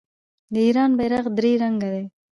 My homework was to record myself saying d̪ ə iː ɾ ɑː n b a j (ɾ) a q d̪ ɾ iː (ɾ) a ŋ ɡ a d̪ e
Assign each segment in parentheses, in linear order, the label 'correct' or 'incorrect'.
correct, correct

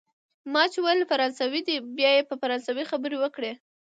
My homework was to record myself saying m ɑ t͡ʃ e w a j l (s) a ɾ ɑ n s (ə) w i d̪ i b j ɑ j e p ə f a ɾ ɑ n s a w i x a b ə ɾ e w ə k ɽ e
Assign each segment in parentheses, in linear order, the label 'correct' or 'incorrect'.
incorrect: f, incorrect: a

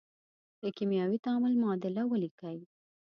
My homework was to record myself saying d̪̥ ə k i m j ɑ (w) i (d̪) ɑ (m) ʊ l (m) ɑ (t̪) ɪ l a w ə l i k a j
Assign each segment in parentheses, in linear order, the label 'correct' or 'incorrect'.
correct, incorrect: t̪, correct, correct, incorrect: d̪

